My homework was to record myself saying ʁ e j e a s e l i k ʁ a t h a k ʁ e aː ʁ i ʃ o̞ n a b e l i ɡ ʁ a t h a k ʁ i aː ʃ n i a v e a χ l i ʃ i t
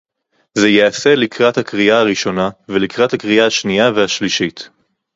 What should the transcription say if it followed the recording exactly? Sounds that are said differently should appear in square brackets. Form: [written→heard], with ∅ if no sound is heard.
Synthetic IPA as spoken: [ʁ→z] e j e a s e l i k ʁ a t h a k ʁ [e→i] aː ʁ i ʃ o̞ n a [b→v] e l i [ɡ→k] ʁ a t h a k ʁ i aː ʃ n i a v e a [χ→ʃ] l i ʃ i t